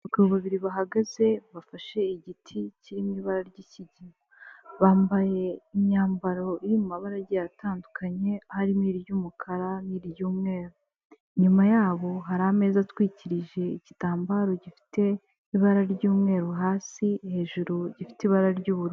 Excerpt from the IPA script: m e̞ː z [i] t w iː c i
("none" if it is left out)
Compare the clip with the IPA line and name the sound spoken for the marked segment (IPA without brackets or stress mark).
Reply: a